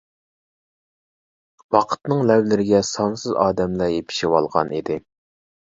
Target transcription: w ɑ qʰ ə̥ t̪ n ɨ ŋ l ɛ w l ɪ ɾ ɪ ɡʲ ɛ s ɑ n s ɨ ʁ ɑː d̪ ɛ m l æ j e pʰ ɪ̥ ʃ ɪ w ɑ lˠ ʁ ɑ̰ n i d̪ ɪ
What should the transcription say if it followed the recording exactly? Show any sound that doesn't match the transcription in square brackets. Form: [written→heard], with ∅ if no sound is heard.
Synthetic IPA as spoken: w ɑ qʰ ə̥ t̪ n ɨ ŋ l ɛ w l ɪ ɾ ɪ ɡʲ ɛ s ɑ n s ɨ [ʁ→z] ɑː d̪ ɛ m l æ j e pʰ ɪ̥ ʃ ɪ w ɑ lˠ ʁ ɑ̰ n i d̪ ɪ